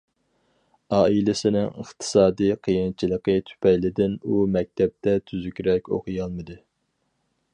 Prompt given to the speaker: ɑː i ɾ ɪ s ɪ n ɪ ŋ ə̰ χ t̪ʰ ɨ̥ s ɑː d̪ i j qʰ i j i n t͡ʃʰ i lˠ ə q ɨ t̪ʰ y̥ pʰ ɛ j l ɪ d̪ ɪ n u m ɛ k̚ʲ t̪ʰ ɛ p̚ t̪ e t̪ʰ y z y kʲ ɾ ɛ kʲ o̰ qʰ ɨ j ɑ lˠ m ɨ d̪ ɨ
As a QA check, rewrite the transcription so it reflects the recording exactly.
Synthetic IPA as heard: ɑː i l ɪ s ɪ n ɪ ŋ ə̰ χ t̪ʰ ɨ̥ s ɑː d̪ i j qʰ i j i n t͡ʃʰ i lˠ ə q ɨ t̪ʰ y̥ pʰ ɛ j l ɪ d̪ ɪ n u m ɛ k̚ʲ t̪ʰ ɛ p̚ t̪ ɛ t̪ʰ y z y kʲ ɾ ɛ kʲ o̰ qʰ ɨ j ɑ lˠ m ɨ d̪ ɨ

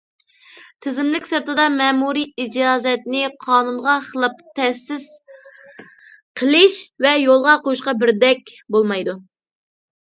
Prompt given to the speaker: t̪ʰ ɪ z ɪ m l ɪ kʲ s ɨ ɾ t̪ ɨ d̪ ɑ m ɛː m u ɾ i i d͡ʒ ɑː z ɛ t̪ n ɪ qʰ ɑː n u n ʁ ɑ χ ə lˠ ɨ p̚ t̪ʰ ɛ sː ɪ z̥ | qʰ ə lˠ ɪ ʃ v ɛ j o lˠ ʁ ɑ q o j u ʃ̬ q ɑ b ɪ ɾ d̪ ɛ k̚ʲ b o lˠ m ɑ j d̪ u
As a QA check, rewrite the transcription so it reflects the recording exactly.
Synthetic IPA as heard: t̪ʰ ɪ z ɪ m l ɪ kʲ s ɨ ɾ t̪ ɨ d̪ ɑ m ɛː m u ɾ i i d͡ʒ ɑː z ɛ t̪ n ɪ qʰ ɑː n u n ʁ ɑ χ ə lˠ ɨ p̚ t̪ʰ ɛ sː ɪ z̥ | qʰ ə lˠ ɪ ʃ v ɛ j o lˠ ʁ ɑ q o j u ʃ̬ q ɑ b ɪ ɾ d̪ ɛ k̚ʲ b o lˠ m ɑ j d̪ u

